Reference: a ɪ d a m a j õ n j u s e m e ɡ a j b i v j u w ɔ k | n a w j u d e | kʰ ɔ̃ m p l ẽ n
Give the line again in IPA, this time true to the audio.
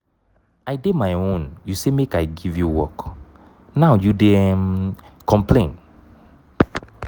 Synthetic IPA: a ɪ d e m a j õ n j u s e m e k a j ɡ i v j u w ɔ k | n a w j u d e | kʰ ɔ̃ m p l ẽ n